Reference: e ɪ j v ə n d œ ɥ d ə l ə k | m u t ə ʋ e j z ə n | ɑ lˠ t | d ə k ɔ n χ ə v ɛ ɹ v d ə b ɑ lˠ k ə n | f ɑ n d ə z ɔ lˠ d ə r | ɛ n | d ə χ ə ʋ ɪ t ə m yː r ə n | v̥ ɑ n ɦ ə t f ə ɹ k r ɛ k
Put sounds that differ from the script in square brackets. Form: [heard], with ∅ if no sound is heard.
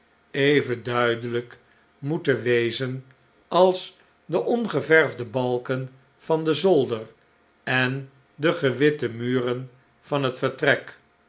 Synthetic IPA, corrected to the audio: e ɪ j v ə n d œ ɥ d ə l ə k | m u t ə ʋ e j z ə n | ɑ lˠ [s] | d ə [ʔ] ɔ n χ ə v ɛ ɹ v d ə b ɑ lˠ k ə n | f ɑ n d ə z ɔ lˠ d ə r | ɛ n | d ə χ ə ʋ ɪ t ə m yː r ə n | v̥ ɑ n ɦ ə t f ə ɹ [t] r ɛ k